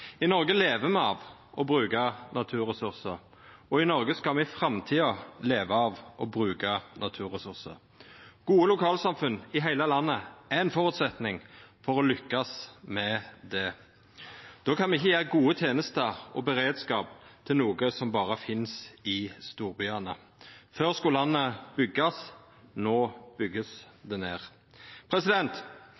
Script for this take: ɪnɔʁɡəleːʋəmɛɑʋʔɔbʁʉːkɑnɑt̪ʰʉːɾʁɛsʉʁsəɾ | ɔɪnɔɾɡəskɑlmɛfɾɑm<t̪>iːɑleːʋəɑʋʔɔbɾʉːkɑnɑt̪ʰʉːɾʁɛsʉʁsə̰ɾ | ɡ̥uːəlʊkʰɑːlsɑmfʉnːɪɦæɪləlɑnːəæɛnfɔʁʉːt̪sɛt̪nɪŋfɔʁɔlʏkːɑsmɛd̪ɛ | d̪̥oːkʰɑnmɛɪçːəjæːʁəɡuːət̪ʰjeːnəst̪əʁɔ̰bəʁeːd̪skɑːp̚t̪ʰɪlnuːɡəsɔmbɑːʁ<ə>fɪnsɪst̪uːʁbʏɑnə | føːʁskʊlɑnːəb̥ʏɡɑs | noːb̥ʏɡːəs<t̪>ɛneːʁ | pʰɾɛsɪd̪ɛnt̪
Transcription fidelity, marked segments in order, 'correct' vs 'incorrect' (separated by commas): incorrect, correct, incorrect